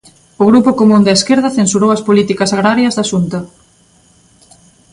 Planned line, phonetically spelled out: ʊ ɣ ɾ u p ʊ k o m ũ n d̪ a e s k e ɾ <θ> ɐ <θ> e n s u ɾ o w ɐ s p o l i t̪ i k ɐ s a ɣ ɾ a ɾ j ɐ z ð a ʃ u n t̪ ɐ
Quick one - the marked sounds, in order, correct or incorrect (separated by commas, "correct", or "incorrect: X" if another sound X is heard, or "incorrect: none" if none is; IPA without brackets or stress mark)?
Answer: incorrect: ð, correct